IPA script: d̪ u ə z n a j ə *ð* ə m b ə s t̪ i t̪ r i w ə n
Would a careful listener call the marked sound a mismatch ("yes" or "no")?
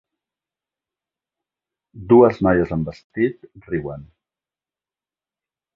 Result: yes